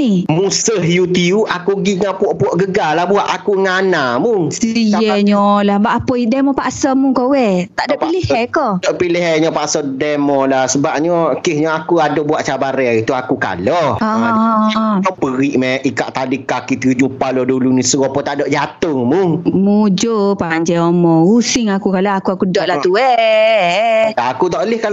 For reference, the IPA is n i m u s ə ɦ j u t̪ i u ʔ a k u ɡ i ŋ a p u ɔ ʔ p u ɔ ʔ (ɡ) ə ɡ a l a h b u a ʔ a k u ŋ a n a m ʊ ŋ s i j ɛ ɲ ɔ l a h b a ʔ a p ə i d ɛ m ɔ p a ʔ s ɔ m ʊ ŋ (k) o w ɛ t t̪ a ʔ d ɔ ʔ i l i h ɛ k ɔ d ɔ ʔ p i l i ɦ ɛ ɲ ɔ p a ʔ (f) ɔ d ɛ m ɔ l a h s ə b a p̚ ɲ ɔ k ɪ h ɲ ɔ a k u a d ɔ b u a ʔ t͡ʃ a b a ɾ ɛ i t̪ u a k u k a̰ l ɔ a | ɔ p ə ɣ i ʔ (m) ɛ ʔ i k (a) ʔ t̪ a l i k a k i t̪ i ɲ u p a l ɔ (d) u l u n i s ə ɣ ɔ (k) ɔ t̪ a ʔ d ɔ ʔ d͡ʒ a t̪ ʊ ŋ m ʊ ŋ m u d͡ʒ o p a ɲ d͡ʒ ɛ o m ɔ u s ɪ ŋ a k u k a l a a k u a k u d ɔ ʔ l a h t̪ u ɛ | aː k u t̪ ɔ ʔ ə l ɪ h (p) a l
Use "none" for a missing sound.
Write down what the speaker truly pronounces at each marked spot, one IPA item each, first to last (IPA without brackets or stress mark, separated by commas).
ɡ, k, s, m, a, d, p, k